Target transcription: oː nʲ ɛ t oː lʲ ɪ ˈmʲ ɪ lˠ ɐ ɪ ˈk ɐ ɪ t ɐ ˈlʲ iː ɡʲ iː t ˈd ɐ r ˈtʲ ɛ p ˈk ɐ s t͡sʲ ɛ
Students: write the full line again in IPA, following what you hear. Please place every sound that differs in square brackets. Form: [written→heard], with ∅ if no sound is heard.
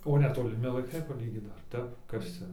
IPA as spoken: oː nʲ ɛ t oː lʲ ɪ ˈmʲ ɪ lˠ ɐ ɪ ˈk ɐ ɪ [t→p] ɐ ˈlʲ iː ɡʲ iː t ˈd ɐ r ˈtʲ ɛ p ˈk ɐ s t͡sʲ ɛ